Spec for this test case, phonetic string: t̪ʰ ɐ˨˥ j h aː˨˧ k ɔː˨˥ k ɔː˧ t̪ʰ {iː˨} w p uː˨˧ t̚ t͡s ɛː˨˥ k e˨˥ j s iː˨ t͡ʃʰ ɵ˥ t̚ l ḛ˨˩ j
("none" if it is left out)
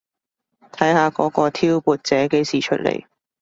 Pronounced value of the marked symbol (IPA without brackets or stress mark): iː˥